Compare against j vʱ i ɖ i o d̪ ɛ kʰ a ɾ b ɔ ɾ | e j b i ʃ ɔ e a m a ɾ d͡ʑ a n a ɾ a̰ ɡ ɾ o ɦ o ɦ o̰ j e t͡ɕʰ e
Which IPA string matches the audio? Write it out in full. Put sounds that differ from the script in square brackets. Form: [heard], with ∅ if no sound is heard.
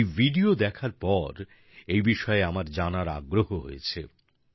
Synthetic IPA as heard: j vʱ i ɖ i o d̪ ɛ kʰ a ɾ [p] ɔ ɾ | e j b i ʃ ɔ e a m a ɾ d͡ʑ a n a ɾ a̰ ɡ ɾ o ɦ o ɦ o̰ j e t͡ɕʰ e